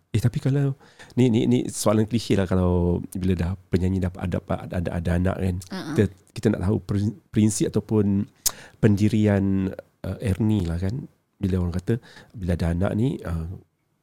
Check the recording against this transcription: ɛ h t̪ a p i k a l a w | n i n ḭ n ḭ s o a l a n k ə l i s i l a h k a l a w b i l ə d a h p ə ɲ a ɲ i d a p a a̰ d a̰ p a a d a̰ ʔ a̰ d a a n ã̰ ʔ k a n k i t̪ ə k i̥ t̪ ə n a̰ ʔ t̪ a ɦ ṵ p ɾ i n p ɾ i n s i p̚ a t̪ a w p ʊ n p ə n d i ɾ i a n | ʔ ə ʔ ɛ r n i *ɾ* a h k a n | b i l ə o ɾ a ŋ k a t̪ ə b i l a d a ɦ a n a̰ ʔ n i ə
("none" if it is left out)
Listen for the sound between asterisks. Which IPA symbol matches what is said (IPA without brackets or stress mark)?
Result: l